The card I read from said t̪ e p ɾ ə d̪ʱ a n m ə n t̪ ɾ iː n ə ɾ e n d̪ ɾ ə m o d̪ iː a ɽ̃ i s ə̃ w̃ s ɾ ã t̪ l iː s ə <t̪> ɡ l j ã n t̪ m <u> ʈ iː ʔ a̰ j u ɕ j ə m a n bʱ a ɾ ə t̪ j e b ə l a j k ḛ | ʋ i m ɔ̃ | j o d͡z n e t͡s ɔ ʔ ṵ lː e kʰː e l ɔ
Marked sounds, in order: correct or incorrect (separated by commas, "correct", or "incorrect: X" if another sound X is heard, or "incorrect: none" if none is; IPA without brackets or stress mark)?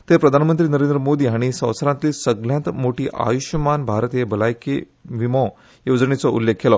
incorrect: none, incorrect: o